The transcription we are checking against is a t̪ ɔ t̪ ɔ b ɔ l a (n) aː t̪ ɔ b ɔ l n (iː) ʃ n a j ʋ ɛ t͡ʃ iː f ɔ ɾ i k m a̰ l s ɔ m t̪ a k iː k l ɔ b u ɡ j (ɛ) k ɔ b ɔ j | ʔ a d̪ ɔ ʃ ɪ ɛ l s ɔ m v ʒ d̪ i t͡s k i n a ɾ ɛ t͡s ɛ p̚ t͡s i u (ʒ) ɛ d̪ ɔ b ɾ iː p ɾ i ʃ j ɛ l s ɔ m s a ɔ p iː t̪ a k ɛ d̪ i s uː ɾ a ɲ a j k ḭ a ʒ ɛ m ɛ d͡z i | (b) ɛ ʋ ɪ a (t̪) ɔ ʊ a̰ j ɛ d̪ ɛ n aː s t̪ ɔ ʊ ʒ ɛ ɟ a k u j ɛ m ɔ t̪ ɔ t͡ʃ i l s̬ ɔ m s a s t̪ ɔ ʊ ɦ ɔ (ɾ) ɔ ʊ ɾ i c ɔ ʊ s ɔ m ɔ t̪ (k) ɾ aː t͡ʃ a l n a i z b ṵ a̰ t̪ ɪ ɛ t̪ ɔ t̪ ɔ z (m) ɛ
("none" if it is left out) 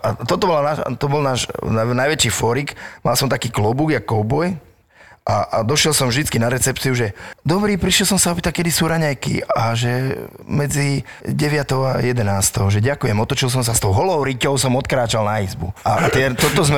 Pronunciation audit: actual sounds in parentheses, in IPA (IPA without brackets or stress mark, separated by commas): n, aː, a, ʒ, ɟ, t̪, l, k, m